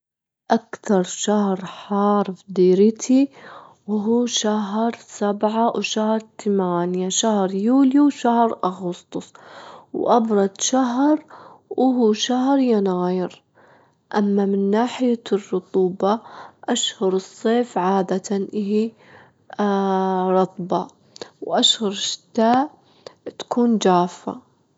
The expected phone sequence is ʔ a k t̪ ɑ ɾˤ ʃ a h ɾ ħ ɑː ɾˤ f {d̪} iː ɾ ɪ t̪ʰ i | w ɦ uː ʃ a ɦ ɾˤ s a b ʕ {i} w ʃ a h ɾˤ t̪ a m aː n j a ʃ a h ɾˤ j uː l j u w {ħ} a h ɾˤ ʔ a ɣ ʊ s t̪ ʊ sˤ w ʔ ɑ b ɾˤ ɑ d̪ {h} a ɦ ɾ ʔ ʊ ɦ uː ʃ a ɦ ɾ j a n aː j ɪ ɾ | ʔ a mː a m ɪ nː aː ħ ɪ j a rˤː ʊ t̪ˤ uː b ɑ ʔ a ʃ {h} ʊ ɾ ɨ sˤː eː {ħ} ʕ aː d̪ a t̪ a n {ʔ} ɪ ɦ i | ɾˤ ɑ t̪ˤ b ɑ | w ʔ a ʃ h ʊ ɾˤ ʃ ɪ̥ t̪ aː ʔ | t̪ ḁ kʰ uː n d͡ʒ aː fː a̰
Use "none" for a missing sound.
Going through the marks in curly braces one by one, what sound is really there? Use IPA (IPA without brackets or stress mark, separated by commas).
d̪, a, ʃ, ʃ, h, f, ʔ